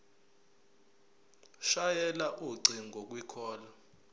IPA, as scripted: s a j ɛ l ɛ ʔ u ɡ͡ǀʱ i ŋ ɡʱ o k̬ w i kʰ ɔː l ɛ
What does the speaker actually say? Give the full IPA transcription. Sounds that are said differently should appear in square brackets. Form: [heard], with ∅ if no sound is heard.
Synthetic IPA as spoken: [ʃ] a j ɛ l [a] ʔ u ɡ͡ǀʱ i ŋ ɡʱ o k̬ w i kʰ ɔː l [a]